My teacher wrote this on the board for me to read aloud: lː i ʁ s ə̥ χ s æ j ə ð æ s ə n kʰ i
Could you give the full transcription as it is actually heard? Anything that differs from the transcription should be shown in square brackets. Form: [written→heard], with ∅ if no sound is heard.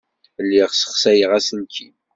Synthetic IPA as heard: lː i ʁ s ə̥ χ s æ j ə [ð→ʁ] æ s ə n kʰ i